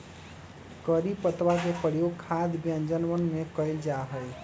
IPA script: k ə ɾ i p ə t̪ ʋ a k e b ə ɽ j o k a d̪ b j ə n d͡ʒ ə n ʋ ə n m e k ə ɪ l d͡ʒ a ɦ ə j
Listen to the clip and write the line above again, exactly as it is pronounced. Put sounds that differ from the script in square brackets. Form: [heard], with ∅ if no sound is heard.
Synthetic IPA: k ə ɾ i p ə t̪ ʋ a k e [p] ə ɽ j o [kʰ] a d̪ b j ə n d͡ʒ ə n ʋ ə n m e k ə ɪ l d͡ʒ a ɦ ə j